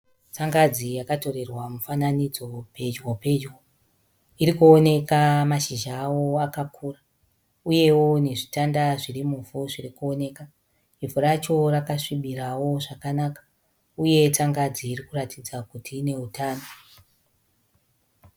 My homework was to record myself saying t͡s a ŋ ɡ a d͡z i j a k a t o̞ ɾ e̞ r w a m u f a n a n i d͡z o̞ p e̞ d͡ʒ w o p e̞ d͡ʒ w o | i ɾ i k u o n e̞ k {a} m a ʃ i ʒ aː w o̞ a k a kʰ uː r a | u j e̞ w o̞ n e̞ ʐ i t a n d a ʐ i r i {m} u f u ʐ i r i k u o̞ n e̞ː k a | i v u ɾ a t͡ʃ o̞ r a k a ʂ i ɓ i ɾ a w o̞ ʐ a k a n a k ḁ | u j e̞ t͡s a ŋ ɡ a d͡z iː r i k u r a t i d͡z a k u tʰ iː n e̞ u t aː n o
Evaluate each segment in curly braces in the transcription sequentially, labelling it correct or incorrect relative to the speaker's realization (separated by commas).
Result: correct, correct